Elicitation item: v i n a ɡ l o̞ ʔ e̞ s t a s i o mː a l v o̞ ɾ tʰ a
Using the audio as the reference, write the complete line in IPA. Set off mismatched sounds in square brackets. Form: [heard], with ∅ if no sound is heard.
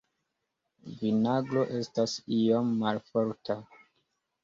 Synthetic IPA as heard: v i n a ɡ l o̞ ʔ e̞ s t a s i o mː a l [f] o̞ ɾ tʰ a